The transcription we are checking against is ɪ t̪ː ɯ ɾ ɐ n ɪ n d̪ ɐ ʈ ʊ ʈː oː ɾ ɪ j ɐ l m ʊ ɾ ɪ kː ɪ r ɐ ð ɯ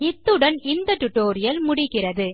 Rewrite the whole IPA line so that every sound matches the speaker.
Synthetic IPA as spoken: ɪ t̪ː ɯ ɽ ɐ n ɪ n d̪ ɐ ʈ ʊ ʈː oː ɾ ɪ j ɐ l m ʊ ɽ ɪ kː ɪ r ɐ ð ɯ